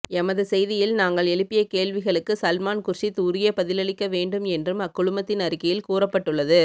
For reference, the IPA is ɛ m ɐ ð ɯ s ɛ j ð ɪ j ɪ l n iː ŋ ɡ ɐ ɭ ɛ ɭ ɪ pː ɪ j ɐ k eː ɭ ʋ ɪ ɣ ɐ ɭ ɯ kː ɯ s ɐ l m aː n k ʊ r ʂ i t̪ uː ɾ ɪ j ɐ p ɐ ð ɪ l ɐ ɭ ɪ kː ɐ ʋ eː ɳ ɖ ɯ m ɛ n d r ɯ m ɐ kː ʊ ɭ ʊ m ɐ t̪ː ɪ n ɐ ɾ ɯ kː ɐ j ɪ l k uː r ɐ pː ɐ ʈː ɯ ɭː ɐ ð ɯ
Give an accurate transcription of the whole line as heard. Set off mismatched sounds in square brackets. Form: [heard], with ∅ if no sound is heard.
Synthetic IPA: ɛ m ɐ ð ɯ s ɛ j ð ɪ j ɪ l n [aː] ŋ ɡ ɐ ɭ ɛ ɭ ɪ pː ɪ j ɐ k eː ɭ ʋ ɪ ɣ ɐ ɭ ɯ kː ɯ s ɐ l m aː n k ʊ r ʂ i t̪ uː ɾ ɪ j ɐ p ɐ ð ɪ l ɐ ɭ ɪ kː ɐ ʋ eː ɳ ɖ ɯ m ɛ n d r ɯ m ɐ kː ʊ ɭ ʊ m ɐ t̪ː ɪ n ɐ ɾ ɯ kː ɐ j ɪ l k uː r ɐ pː ɐ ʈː ɯ ɭː ɐ ð ɯ